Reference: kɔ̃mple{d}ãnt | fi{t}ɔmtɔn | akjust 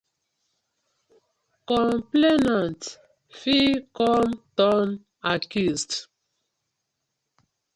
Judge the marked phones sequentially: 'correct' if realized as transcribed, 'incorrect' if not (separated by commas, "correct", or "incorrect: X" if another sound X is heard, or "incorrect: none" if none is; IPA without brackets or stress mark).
incorrect: n, incorrect: k